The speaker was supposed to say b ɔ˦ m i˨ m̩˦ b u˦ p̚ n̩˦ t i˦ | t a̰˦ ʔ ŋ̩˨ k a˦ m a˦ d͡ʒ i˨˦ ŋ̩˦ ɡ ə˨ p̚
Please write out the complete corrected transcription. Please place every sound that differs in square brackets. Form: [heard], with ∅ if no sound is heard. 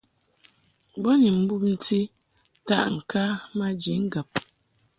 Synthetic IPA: b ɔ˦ [n] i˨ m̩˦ b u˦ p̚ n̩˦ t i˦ | t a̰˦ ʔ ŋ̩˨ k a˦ m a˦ d͡ʒ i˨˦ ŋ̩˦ ɡ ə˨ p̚